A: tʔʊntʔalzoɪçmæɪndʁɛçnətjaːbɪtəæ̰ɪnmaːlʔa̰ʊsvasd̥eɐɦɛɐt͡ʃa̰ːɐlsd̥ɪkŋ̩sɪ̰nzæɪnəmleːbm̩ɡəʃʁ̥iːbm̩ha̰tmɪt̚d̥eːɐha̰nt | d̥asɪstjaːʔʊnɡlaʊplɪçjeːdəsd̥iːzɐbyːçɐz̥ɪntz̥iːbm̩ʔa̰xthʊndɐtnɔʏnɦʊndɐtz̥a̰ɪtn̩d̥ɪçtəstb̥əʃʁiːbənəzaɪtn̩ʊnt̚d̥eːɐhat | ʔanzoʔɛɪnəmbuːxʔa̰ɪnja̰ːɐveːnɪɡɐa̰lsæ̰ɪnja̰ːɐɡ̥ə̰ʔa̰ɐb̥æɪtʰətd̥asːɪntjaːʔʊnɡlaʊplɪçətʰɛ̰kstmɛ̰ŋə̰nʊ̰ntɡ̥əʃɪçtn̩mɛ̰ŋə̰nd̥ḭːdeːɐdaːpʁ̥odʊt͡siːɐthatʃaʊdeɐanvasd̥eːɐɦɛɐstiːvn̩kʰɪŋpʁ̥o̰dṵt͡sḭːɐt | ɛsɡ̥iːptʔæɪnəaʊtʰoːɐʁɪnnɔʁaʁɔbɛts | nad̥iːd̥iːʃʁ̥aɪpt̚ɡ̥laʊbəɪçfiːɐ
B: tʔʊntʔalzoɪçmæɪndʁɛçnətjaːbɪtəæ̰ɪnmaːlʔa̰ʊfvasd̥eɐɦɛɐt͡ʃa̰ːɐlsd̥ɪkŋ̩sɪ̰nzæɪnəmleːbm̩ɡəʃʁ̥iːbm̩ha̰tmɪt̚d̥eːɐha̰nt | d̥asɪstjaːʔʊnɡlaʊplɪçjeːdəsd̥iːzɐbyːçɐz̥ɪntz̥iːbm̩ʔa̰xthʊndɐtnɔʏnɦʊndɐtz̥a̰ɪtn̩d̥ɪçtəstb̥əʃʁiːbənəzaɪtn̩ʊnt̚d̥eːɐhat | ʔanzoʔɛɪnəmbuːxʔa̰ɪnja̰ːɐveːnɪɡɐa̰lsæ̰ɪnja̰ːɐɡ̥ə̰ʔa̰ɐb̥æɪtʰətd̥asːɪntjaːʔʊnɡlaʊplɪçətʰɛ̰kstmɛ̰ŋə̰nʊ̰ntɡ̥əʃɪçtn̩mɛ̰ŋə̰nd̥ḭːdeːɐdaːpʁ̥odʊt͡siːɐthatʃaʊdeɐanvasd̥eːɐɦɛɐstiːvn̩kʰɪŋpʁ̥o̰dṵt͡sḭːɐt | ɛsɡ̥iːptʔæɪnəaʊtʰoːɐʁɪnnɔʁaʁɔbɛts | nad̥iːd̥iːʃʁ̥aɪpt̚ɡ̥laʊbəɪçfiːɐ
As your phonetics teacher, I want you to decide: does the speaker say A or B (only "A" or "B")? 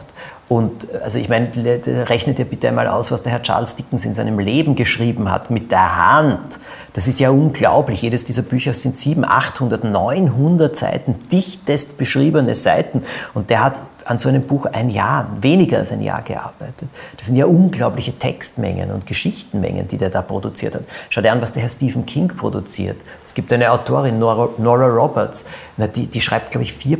A